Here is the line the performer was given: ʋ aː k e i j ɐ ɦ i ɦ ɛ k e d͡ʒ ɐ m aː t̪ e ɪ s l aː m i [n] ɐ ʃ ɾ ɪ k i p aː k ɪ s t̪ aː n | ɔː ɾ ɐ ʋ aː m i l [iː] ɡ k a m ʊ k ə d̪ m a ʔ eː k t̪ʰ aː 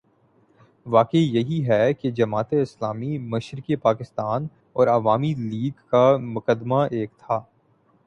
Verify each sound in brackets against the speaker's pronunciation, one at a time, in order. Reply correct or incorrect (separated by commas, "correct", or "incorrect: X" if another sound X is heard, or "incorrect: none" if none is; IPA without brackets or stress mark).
incorrect: m, correct